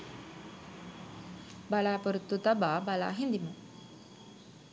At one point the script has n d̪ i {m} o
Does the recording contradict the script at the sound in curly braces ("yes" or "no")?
no